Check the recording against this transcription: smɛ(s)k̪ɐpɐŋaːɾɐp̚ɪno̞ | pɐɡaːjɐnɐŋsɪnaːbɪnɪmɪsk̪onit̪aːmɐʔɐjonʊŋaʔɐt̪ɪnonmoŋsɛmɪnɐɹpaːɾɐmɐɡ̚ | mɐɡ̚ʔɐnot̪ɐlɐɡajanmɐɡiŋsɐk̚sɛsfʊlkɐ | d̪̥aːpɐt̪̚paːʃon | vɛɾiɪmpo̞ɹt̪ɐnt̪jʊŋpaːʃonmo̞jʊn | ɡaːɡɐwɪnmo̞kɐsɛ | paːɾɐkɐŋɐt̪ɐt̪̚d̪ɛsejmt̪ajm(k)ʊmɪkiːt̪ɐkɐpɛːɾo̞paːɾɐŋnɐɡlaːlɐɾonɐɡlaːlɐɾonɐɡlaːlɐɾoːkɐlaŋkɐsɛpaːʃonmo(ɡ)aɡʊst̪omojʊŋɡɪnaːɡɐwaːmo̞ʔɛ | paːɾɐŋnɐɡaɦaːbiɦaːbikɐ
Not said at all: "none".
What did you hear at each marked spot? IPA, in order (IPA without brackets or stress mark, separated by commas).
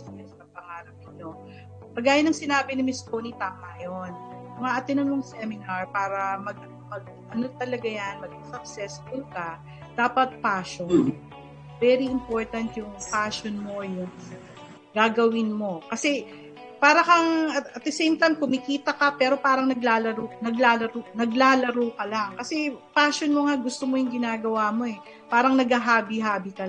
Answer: s, k, ŋ